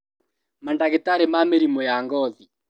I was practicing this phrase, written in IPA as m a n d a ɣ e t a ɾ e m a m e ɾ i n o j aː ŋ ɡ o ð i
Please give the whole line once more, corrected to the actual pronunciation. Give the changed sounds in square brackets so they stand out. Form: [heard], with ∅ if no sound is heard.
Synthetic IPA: m a n d a ɣ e t a ɾ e m a m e ɾ i [m] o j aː ŋ ɡ [ɔ] ð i

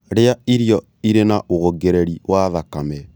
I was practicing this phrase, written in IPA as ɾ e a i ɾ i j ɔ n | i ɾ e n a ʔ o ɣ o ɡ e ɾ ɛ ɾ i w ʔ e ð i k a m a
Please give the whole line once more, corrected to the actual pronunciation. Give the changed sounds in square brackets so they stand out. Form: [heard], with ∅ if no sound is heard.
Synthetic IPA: ɾ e a i ɾ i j ɔ [∅] | i ɾ e n a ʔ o ɣ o ɡ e ɾ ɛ ɾ i w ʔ [a] ð [a] k a m [ɛ]

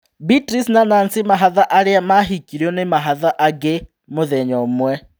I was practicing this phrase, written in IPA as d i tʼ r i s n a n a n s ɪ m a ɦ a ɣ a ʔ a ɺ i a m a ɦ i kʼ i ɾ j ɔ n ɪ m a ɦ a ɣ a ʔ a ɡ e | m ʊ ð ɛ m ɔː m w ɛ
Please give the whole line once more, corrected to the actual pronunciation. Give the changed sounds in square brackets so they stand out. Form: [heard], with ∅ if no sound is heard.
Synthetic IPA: [b] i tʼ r i s n a n a n s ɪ m a ɦ a [ð] a ʔ a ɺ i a m a ɦ i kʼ i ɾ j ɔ n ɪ m a ɦ a [ð] a ʔ a ɡ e | m ʊ ð ɛ [ɲ] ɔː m w ɛ

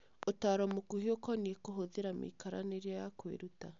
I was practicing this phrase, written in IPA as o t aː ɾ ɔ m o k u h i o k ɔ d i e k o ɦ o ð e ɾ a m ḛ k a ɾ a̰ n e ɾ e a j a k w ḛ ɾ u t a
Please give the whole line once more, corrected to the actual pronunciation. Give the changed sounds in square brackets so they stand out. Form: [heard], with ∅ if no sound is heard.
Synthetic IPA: o t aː ɾ ɔ m o k u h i o k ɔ [n] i e k o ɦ o ð e ɾ a m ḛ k a ɾ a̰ n e ɾ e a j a k w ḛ ɾ u t a

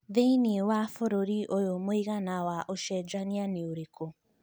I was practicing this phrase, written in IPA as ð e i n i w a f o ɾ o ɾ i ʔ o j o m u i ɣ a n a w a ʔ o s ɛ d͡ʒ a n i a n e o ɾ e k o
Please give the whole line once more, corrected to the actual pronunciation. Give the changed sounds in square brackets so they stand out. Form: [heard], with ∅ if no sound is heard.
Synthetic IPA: ð e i n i w a f o ɾ o ɾ i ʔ o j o m [o] i ɣ a n a w a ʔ o [ʃ] ɛ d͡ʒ a n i a n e o ɾ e k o

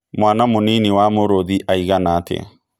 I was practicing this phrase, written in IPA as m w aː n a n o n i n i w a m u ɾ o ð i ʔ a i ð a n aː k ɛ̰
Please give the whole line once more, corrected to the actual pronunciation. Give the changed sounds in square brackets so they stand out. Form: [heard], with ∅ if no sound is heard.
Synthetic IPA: m w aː n a [m] o n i n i w a m [o] ɾ o ð i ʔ a i [ɣ] a n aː [t] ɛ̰

